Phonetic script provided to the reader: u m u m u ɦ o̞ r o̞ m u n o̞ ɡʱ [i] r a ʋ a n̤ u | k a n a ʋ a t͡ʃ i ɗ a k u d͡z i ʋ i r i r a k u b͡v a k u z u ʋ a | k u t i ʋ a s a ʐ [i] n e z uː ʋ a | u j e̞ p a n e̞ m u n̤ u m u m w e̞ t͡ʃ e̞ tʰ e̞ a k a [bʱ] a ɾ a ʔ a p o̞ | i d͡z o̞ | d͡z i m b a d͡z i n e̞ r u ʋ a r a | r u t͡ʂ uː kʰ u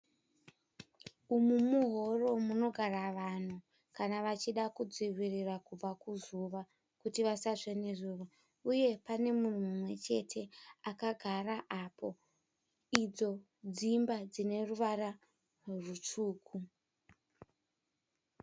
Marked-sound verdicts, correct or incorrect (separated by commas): incorrect, incorrect, incorrect